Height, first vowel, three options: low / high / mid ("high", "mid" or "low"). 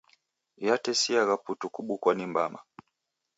low